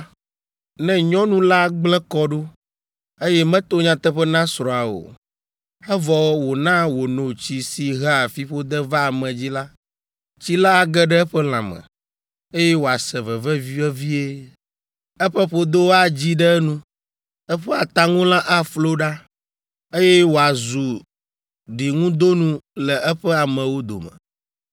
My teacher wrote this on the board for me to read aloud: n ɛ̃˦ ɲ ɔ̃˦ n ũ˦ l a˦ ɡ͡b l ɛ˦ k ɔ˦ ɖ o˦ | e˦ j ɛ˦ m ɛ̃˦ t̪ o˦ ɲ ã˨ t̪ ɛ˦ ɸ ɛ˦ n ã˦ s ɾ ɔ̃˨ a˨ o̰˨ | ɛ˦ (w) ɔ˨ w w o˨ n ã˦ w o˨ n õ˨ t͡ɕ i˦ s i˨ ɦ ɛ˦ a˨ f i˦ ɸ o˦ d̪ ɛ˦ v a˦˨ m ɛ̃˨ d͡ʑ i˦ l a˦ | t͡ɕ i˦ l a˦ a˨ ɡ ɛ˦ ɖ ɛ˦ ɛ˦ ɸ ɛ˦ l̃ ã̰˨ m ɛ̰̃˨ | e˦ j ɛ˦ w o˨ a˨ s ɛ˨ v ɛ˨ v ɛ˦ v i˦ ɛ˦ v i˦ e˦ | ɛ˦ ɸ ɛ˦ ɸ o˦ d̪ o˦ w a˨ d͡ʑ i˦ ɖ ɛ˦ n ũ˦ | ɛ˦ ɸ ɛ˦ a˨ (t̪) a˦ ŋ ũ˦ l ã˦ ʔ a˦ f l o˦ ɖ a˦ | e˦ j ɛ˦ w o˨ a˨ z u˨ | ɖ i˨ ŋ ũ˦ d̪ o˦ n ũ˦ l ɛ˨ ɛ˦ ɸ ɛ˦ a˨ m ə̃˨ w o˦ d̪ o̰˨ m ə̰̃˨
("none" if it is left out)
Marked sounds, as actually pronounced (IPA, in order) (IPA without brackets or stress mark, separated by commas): v, t̪